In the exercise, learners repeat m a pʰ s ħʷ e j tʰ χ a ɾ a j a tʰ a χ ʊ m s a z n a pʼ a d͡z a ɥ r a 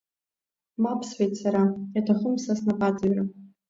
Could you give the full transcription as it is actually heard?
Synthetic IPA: m a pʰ s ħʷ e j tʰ s a ɾ a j a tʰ a χ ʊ m s a s n a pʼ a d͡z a ɥ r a